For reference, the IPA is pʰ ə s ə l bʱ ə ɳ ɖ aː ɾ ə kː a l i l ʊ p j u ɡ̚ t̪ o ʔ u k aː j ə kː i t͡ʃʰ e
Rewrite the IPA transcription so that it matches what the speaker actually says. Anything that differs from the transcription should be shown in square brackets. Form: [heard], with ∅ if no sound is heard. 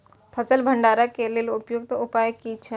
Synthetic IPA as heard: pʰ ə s ə l bʱ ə ɳ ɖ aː ɾ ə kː [e] l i l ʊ p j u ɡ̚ t̪ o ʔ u [p] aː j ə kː i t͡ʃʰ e